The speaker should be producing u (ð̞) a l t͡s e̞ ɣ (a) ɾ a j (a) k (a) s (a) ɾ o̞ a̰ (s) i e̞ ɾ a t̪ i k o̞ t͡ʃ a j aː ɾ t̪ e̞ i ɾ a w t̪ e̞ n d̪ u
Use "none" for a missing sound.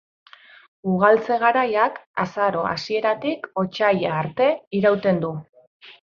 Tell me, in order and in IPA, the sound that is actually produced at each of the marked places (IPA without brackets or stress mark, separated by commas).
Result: ɣ̞, a, a, a, a, s